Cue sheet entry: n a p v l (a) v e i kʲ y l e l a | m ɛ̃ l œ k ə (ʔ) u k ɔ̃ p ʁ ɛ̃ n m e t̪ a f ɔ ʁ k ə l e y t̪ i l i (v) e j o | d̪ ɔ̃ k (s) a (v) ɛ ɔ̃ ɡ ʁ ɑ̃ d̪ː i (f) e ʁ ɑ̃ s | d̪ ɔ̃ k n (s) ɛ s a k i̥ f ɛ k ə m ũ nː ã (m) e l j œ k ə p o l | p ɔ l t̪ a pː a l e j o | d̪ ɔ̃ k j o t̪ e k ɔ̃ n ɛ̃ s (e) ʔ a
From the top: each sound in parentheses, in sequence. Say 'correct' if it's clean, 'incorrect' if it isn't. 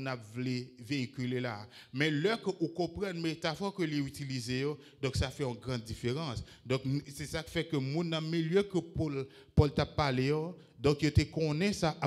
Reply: incorrect: e, correct, incorrect: z, correct, incorrect: f, correct, correct, correct, incorrect: a

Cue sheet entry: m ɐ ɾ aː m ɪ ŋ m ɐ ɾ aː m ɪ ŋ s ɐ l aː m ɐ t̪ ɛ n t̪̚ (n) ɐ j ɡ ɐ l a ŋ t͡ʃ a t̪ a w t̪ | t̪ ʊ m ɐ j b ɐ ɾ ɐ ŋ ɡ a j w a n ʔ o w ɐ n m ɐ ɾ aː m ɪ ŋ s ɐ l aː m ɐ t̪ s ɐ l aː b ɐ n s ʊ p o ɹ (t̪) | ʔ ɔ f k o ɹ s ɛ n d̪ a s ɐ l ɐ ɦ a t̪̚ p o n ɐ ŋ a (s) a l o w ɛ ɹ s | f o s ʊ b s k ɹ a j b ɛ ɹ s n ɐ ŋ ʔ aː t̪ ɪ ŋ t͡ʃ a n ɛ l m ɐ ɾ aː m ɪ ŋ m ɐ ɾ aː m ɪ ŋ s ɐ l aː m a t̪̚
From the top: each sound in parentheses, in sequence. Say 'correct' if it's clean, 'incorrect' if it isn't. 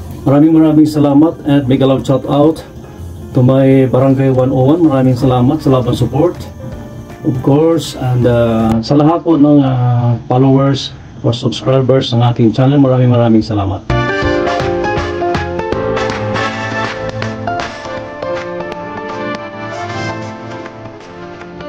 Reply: incorrect: m, correct, incorrect: f

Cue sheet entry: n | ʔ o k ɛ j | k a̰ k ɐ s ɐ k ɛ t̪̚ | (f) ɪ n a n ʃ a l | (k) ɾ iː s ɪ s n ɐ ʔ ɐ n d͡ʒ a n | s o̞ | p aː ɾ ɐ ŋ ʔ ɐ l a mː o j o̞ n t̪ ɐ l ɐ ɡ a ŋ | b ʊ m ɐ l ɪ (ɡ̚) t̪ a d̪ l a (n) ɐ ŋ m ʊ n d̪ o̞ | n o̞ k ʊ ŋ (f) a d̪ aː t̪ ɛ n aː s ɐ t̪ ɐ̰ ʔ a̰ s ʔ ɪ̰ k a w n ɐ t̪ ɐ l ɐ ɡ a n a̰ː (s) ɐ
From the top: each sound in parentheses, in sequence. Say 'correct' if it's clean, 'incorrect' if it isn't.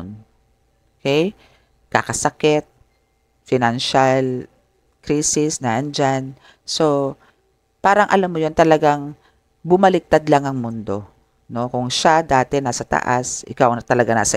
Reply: correct, correct, incorrect: k̚, incorrect: ŋ, incorrect: ʃ, correct

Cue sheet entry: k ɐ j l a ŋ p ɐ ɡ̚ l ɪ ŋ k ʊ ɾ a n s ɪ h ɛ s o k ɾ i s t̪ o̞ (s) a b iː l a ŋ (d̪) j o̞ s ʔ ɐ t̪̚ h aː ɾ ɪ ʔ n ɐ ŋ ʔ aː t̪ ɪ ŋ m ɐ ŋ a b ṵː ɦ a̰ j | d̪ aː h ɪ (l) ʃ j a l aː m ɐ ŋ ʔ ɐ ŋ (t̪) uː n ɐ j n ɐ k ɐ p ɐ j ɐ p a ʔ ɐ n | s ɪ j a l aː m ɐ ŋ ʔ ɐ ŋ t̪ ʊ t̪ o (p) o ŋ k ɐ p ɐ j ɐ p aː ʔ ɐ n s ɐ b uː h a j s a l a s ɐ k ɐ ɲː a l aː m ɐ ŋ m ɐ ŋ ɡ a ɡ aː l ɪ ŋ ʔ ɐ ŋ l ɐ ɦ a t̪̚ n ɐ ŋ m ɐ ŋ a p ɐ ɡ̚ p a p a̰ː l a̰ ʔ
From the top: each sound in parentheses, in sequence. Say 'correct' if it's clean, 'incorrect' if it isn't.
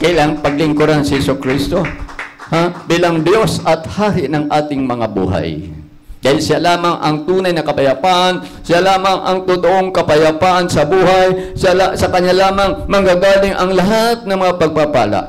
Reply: incorrect: h, correct, correct, correct, incorrect: ʔ

